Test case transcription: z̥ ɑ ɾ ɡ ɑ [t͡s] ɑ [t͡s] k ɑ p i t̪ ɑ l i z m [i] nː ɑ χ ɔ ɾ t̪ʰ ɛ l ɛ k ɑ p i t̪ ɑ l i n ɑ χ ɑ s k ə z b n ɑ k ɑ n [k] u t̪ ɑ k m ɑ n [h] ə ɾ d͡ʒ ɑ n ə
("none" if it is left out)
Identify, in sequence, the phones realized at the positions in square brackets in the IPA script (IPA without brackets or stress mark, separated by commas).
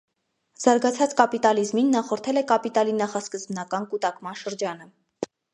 t͡sʰ, t͡s, i, k, ʃ